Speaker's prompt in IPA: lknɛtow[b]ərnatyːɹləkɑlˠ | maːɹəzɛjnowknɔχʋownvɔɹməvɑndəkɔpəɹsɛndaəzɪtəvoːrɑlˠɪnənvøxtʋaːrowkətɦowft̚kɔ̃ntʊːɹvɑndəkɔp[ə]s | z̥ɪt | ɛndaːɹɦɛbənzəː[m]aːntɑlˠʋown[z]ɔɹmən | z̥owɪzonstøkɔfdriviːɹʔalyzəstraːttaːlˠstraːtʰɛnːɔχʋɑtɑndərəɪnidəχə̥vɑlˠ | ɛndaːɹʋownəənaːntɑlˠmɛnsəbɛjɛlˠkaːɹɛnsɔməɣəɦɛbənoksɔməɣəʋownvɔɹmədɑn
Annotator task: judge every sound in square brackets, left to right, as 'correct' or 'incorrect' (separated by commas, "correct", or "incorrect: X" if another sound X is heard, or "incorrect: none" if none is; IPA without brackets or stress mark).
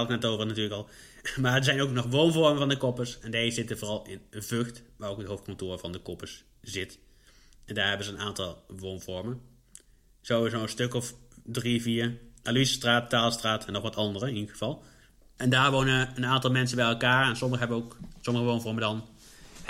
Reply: incorrect: v, correct, incorrect: n, incorrect: v